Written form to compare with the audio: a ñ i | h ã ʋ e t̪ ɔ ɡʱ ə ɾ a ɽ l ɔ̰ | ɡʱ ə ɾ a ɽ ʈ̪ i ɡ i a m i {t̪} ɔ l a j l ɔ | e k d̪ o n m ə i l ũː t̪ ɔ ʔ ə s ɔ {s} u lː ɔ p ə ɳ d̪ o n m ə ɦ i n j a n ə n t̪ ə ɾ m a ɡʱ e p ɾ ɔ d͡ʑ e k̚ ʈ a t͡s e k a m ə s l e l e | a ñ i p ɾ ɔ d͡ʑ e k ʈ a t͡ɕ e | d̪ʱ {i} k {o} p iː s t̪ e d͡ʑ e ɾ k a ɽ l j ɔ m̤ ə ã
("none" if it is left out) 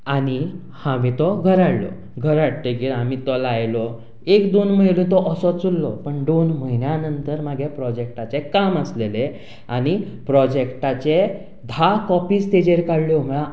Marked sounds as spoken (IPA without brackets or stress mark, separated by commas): t̪, t͡s, a, ɔ